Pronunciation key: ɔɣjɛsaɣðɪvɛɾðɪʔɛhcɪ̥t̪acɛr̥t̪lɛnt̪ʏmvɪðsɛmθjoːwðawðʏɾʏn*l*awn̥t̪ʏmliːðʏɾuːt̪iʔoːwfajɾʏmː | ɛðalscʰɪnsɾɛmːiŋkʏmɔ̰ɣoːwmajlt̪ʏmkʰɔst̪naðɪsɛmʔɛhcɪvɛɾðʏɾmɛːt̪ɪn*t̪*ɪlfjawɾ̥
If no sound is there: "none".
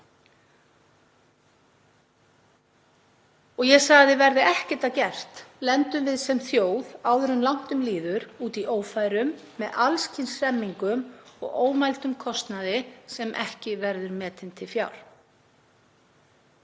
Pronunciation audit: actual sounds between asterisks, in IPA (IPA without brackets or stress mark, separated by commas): l, t̪ʰ